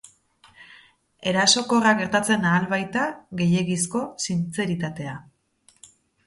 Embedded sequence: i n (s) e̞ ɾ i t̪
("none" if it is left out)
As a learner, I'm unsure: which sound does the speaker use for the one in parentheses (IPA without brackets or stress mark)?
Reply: t͡s